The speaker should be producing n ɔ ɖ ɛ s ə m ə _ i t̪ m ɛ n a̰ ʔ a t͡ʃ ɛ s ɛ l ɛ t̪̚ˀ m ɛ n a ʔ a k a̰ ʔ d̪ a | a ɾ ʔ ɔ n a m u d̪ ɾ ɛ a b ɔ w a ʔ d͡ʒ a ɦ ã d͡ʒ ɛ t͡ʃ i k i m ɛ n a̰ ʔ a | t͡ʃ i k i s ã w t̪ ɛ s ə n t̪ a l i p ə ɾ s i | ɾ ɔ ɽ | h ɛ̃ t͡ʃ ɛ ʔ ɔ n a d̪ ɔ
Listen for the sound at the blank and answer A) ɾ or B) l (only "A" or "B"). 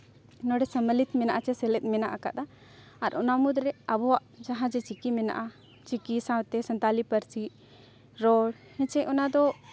B